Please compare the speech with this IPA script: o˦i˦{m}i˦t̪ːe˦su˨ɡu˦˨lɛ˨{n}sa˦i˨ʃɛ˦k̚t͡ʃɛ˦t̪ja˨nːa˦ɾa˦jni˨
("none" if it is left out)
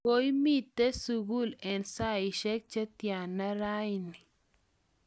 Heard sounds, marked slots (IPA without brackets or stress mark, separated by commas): m, n